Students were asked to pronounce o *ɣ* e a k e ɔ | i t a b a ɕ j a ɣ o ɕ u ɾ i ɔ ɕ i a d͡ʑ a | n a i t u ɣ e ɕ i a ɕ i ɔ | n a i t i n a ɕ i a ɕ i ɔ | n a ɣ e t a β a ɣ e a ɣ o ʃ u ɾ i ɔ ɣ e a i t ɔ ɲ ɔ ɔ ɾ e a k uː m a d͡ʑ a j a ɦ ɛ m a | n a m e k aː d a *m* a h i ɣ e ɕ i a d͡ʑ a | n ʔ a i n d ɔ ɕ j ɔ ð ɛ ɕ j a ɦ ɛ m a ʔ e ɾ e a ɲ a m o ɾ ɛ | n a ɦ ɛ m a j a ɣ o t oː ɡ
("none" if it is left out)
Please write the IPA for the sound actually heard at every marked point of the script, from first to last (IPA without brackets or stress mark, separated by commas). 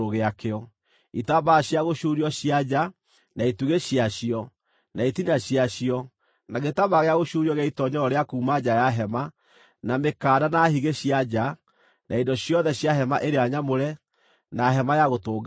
ɣ, n